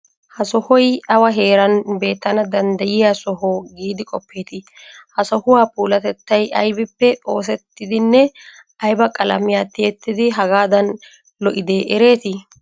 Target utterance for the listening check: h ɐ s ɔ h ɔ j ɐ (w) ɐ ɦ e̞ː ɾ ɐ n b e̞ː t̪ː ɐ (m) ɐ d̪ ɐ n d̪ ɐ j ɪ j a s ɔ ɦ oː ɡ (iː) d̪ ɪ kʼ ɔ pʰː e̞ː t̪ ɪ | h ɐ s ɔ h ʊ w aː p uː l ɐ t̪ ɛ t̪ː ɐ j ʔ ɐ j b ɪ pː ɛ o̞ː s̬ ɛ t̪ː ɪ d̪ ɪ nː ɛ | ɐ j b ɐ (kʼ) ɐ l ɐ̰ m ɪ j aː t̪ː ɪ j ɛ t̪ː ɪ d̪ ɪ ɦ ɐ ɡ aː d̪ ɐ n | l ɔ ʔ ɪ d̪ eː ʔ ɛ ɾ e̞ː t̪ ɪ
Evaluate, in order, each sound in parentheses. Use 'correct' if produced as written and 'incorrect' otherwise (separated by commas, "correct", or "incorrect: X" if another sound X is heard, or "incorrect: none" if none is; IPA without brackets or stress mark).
correct, incorrect: n, correct, correct